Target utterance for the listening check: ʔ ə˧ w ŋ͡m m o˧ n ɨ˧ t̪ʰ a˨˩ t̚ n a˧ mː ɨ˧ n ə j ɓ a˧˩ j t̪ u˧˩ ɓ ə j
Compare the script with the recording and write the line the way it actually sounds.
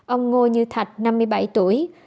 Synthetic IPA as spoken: ʔ ə˧ w ŋ͡m ŋ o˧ ɲ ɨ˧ t̪ʰ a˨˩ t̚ n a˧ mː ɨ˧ ə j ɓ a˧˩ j t̪ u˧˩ ə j

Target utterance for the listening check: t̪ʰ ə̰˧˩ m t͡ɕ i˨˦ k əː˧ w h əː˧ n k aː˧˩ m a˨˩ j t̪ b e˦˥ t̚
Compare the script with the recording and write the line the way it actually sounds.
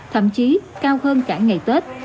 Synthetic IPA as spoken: t̪ʰ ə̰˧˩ m t͡ɕ i˨˦ k aː˧ w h əː˧ n k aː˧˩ ŋ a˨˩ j t̪ w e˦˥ t̚

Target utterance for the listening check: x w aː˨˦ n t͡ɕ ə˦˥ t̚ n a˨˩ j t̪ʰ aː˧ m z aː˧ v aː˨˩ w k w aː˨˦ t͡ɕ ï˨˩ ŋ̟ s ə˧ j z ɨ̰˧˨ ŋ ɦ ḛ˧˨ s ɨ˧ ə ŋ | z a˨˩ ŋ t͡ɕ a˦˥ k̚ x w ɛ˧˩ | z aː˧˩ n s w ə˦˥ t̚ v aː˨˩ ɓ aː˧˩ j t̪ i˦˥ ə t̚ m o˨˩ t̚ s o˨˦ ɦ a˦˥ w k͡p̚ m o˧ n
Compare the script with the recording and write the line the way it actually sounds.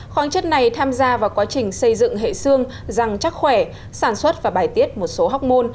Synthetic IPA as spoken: x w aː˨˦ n t͡ɕ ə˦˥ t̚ n a˨˩ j t̪ʰ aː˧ m z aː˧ v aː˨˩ w k w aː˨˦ t͡ɕ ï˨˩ ŋ̟ s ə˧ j z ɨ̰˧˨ ŋ ɦ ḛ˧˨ s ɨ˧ ə ŋ | z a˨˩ ŋ t͡ɕ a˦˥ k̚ x w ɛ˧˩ | s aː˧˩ n s w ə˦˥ t̚ v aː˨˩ ɓ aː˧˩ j t̪ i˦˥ ə t̚ m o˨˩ t̚ s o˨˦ ɦ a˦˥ w k͡p̚ m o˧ n

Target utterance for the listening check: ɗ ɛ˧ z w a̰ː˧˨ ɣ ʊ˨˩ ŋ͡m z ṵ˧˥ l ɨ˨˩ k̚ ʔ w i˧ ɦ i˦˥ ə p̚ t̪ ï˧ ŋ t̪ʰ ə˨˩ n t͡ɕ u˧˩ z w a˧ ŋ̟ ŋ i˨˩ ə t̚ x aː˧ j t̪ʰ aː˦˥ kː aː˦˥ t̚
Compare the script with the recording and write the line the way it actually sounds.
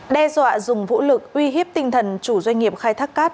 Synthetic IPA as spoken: ɗ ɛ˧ z w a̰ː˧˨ z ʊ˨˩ ŋ͡m v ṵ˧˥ l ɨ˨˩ k̚ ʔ w i˧ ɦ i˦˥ ə p̚ t̪ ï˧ ŋ t̪ʰ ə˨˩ n t͡ɕ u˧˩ z w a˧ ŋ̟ ŋ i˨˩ ə p̚ x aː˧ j t̪ʰ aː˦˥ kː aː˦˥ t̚

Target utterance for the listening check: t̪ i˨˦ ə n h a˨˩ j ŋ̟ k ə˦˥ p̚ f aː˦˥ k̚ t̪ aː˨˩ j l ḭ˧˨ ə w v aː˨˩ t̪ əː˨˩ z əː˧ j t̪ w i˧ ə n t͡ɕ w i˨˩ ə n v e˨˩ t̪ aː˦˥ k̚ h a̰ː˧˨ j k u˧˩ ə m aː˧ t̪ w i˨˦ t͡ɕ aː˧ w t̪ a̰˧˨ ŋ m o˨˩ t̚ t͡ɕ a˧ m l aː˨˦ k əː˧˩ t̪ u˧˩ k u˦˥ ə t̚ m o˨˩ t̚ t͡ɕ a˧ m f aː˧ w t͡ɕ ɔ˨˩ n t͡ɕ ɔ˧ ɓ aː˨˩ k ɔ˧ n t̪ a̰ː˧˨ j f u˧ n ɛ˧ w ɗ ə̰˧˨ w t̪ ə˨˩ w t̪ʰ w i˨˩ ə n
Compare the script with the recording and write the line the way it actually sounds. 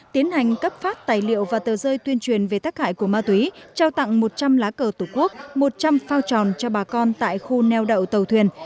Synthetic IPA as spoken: t̪ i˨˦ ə n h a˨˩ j ŋ̟ k ə˦˥ p̚ f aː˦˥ t̚ t̪ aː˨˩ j l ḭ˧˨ ə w v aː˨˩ t̪ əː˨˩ z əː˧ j t̪ w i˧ ə n t͡ɕ w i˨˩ ə n v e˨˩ t̪ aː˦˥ k̚ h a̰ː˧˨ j k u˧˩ ə m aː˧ t̪ w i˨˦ t͡ɕ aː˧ w t̪ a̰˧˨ ŋ m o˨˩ t̚ t͡ɕ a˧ m l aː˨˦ k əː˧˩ t̪ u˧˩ k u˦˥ ə k̚ m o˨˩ t̚ t͡ɕ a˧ m f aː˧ w t͡ɕ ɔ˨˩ n t͡ɕ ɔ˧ ɓ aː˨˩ k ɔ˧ n t̪ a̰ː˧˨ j x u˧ n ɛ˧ w ɗ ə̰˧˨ w t̪ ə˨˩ w t̪ʰ w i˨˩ ə n

